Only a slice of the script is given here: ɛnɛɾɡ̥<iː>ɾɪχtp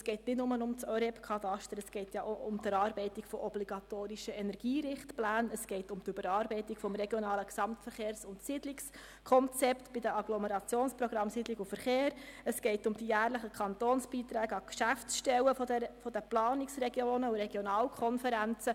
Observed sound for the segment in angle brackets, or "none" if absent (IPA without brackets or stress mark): iː